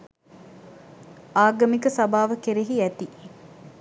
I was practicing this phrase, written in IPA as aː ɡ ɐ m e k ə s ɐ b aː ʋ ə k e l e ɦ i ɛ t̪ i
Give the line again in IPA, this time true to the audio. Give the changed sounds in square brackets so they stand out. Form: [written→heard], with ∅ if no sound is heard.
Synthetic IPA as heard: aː ɡ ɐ m [e→i] k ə s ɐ b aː ʋ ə k e [l→ɾ] e ɦ i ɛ t̪ i